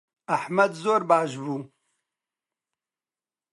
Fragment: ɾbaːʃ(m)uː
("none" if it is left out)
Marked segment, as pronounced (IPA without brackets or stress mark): b